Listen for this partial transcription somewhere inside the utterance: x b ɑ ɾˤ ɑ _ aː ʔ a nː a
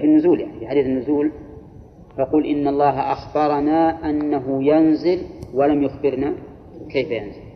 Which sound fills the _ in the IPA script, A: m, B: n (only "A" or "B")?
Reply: B